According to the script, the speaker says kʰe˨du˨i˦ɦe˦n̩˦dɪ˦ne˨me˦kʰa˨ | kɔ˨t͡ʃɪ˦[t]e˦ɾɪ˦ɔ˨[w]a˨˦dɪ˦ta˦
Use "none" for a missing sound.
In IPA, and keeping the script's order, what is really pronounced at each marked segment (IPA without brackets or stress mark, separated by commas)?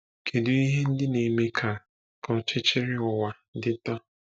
t͡ʃ, w